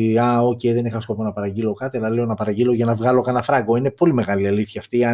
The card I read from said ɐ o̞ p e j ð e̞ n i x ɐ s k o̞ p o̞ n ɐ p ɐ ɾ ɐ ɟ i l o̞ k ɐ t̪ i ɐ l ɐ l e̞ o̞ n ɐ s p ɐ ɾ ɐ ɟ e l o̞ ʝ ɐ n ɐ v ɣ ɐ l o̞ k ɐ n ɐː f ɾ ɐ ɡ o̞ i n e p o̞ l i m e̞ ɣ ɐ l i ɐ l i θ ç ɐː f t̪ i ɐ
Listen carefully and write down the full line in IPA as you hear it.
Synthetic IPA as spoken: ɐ o̞ c e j ð e̞ n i x ɐ s k o̞ p o̞ n ɐ p ɐ ɾ ɐ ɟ i l o̞ k ɐ t̪ i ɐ l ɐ l e̞ o̞ n ɐ p ɐ ɾ ɐ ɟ i l o̞ ʝ ɐ n ɐ v ɣ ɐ l o̞ k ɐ n ɐ f ɾ ɐ ɡ o̞ i n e p o̞ l i m e̞ ɣ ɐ l i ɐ l i θ ç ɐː f t̪ i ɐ